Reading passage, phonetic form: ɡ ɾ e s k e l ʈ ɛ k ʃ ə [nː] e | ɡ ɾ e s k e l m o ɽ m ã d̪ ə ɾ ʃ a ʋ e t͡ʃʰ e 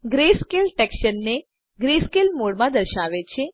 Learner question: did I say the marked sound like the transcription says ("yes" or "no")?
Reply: yes